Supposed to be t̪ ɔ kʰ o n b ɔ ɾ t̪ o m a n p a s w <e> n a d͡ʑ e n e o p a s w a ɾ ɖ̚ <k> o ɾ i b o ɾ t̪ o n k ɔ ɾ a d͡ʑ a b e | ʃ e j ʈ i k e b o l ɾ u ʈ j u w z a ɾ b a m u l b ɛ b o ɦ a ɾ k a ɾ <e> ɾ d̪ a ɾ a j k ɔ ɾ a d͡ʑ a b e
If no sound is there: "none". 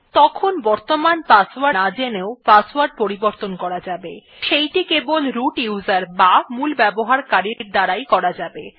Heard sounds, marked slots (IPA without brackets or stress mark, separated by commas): a, p, i